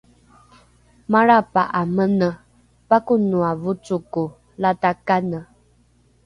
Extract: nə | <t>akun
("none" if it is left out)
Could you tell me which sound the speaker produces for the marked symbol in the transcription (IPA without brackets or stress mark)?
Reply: p